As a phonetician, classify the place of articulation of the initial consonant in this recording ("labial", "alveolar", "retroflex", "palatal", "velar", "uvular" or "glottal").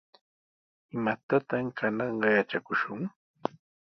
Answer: labial